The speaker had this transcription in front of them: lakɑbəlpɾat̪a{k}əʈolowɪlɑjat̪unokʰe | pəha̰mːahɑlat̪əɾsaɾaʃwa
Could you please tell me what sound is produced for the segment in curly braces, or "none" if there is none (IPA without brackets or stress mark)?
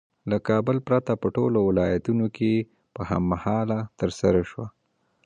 p